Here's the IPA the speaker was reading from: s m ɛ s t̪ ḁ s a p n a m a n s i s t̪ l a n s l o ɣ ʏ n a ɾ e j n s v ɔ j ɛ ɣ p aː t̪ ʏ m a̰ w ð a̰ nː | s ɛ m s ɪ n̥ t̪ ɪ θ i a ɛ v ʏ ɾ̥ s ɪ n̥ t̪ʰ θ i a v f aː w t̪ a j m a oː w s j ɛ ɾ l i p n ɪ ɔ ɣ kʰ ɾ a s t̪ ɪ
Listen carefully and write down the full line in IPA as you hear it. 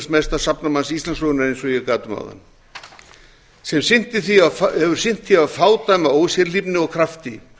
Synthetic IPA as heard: s m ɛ s t̪ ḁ s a p n a m a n s i s t̪ l a n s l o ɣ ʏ n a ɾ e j n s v ɔ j ɛ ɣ k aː t̪ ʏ m a̰ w ð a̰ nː | s ɛ m s ɪ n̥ t̪ ɪ θ i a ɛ v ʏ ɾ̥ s ɪ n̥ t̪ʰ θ i a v f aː w t̪ a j m a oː w s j ɛ ɾ l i p n ɪ ɔ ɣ kʰ ɾ a f t̪ ɪ